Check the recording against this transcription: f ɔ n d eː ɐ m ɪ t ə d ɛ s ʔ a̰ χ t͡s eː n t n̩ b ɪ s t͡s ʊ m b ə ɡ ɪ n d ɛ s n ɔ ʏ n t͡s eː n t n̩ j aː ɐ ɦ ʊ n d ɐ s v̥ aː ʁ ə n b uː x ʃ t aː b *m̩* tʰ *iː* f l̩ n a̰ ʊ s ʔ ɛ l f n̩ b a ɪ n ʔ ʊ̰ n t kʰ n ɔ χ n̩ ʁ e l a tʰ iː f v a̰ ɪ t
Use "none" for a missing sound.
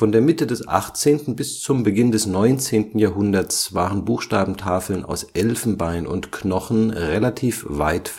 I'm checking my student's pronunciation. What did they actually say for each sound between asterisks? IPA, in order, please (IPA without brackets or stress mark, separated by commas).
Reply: m̩, aː